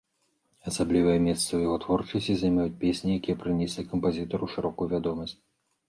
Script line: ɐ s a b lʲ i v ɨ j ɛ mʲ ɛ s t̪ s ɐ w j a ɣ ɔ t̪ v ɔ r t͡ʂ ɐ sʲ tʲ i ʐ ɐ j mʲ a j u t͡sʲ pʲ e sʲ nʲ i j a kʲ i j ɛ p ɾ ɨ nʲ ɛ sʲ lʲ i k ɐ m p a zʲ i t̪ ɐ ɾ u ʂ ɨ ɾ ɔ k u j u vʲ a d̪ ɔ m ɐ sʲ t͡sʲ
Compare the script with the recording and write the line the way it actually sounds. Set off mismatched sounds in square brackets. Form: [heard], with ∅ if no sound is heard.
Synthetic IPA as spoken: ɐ s a b lʲ i v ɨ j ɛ mʲ ɛ s t̪ s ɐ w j a ɣ ɔ t̪ v ɔ r t͡ʂ ɐ sʲ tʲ i [z] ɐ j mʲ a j u t͡sʲ pʲ e sʲ nʲ i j a kʲ i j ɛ p ɾ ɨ nʲ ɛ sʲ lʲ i k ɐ m p a zʲ i t̪ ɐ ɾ u ʂ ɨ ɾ ɔ k u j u vʲ a d̪ ɔ m ɐ sʲ t͡sʲ